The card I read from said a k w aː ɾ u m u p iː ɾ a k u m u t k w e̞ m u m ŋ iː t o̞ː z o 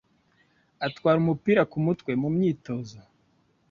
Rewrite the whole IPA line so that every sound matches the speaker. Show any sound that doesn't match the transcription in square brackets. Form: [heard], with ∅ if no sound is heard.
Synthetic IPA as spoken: a [t] w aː ɾ u m u p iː ɾ a k u m u t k w e̞ m u m [ɲ] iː t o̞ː z o